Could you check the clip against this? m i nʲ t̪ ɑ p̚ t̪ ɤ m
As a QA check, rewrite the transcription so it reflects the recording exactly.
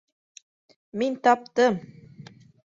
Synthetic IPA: m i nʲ t̪ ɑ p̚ t̪ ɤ m